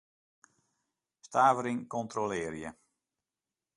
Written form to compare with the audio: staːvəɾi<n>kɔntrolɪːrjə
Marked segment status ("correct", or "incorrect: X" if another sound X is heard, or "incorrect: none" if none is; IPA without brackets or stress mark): incorrect: ŋ